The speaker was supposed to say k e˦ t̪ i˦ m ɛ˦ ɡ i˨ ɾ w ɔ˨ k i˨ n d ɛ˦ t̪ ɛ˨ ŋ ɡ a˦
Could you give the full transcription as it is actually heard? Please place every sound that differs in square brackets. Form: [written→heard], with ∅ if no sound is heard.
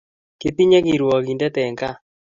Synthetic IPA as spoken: k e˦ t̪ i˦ [m→ɲ] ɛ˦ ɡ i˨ ɾ w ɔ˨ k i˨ n d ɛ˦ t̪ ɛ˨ ŋ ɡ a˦